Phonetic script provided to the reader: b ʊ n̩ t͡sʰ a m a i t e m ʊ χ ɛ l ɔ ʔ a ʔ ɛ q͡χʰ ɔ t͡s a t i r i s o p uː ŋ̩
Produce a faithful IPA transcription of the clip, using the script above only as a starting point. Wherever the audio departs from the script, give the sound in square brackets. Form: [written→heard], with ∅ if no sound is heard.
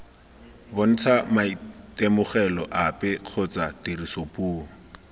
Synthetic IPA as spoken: b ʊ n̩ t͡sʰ a m a i t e m ʊ χ ɛ l ɔ ʔ a [ʔ→p] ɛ q͡χʰ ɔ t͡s a t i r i s o p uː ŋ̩